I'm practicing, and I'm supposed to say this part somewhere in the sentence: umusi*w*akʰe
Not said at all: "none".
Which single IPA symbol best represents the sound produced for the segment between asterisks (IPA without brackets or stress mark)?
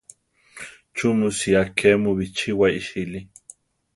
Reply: none